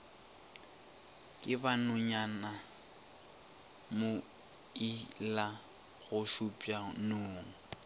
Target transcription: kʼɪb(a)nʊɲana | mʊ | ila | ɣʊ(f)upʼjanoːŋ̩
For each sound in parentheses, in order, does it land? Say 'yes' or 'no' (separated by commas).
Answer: yes, no